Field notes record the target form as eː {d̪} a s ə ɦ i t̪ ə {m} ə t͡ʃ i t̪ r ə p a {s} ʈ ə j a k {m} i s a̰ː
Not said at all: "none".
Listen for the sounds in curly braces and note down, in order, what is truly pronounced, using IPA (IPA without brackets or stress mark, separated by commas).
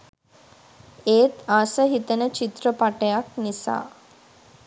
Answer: t̪, n, none, n